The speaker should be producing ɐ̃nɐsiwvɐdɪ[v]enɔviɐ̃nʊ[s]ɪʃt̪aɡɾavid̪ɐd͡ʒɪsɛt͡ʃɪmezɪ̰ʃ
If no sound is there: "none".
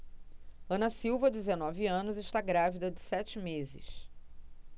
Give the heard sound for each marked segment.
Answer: z, z

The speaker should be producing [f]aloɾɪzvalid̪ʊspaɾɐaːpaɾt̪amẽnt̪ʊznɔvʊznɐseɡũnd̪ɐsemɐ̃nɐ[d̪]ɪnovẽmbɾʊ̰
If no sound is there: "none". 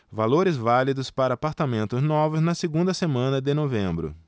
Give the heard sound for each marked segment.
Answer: v, d̪

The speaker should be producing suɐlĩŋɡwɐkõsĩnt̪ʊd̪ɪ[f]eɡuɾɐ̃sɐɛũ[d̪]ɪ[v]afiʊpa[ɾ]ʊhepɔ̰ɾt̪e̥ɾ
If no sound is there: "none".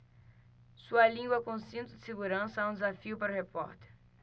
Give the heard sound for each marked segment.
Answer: s, d̪, z, ɾ

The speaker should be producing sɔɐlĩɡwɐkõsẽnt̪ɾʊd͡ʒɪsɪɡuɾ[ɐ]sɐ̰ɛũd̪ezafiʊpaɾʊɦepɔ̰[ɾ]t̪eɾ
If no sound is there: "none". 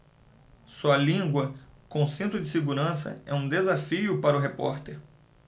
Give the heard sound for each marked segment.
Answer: ɐ̃, ɾ

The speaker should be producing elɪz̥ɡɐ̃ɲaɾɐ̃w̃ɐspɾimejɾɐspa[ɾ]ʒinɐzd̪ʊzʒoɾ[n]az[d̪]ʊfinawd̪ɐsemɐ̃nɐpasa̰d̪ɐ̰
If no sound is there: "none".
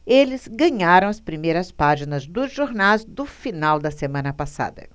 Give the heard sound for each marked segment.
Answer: none, n, d̪

